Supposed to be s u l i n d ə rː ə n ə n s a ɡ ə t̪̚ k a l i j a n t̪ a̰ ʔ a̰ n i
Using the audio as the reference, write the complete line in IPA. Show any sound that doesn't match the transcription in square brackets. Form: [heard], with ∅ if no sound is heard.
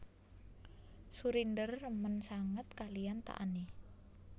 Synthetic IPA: s u [ɾ] i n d ə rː ə [m] ə n s a [ŋ] ə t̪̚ k a l i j a n t̪ a̰ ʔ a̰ n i